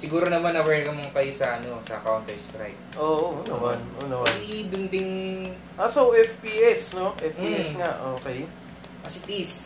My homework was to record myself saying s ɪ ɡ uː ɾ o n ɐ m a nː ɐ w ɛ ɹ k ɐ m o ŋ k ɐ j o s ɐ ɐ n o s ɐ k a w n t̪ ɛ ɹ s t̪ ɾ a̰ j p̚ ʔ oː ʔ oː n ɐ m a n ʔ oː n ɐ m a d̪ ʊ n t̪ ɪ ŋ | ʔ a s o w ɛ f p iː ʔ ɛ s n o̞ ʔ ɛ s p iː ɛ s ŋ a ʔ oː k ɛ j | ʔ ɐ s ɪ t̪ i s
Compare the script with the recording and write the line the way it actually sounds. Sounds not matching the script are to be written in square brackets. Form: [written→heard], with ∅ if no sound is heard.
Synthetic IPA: s ɪ ɡ uː ɾ o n ɐ m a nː ɐ w ɛ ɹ k ɐ m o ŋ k ɐ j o s ɐ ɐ n o s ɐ k a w n t̪ ɛ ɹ s t̪ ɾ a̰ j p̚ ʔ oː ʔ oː n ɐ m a n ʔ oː n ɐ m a d̪ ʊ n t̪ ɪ ŋ | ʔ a s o w ɛ f p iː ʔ ɛ s n o̞ ʔ ɛ [s→f] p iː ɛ s ŋ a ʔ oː k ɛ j | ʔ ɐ s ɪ t̪ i s